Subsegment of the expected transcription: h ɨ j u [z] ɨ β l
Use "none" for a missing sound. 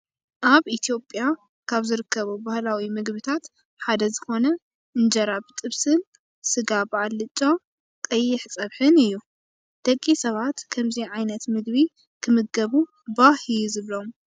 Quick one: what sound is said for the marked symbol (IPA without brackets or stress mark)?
z